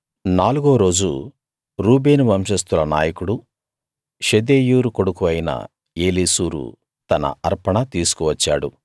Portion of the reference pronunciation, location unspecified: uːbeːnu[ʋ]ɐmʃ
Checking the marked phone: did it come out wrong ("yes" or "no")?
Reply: no